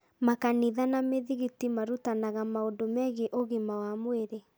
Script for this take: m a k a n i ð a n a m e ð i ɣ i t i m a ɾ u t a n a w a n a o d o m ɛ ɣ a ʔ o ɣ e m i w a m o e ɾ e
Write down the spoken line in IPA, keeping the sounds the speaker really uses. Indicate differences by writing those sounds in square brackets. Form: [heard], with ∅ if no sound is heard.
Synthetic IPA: m a k a n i ð a n a m e ð i ɣ i t i m a ɾ u t a n a [ɣ] a [m] a o d o m ɛ ɣ [e] ʔ o ɣ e m [a] w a m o e ɾ e